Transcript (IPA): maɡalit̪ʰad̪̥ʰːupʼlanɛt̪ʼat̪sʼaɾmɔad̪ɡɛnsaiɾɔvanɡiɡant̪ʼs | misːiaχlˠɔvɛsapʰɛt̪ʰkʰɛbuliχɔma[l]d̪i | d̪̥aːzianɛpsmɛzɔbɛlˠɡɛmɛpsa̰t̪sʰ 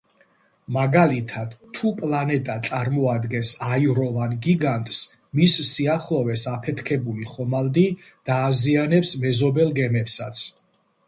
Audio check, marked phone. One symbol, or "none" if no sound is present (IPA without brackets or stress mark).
l